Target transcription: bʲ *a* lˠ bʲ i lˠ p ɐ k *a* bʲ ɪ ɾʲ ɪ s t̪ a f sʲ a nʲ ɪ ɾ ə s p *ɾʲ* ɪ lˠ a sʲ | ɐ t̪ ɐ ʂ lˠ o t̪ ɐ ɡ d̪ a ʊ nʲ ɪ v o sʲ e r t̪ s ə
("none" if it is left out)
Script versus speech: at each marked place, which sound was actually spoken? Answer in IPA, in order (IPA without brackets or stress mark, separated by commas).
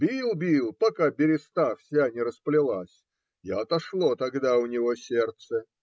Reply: i, a, lʲ